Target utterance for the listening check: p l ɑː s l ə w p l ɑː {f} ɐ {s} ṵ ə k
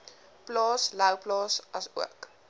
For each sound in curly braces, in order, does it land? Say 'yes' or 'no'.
no, yes

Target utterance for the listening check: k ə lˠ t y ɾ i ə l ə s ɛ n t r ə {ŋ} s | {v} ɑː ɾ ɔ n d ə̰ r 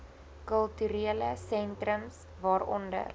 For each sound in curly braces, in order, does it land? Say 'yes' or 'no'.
no, yes

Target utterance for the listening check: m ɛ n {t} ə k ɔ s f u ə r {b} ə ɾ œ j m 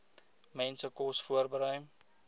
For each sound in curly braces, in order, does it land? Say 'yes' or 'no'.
no, yes

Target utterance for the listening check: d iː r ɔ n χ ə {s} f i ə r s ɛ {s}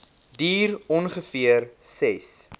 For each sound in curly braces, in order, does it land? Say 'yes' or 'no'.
no, yes

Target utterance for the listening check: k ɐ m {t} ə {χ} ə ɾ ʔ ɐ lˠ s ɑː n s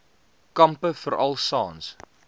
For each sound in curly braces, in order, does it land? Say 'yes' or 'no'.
no, no

